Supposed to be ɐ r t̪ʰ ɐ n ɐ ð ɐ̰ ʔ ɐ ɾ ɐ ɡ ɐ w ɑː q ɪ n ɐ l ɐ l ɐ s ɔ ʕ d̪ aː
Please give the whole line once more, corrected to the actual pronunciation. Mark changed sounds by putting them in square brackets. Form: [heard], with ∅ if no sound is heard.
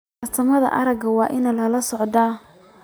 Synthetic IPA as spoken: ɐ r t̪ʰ ɐ [m] ɐ ð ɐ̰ ʔ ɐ ɾ ɐ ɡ ɐ w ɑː [ʔ] ɪ n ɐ l ɐ l ɐ s ɔ ʕ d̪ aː